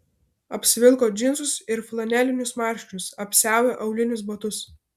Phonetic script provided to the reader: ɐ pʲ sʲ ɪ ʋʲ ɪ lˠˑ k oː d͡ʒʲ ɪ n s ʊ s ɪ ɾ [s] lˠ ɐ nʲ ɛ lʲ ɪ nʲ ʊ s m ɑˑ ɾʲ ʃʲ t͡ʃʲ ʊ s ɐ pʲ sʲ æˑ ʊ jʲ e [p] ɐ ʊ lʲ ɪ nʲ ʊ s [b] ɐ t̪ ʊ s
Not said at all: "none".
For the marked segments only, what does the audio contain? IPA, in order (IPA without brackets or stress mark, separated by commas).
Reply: f, ʔ, b